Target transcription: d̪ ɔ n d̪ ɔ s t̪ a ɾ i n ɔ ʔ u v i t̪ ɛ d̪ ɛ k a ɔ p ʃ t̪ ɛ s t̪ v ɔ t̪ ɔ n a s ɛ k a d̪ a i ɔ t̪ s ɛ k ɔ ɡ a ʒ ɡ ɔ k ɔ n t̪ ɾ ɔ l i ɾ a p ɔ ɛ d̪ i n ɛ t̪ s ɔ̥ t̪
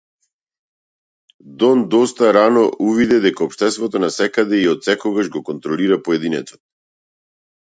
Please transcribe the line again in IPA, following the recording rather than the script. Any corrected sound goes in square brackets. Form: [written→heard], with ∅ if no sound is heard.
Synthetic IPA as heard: d̪ ɔ n d̪ ɔ s t̪ a ɾ [i→a] n ɔ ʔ u v i [t̪→d̪] ɛ d̪ ɛ k a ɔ p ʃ t̪ ɛ s t̪ v ɔ t̪ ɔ n a s ɛ k a d̪ [a→ɛ] i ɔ t̪ s ɛ k ɔ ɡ a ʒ ɡ ɔ k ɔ n t̪ ɾ ɔ l i ɾ a p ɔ ɛ d̪ i n ɛ t̪ s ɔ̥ t̪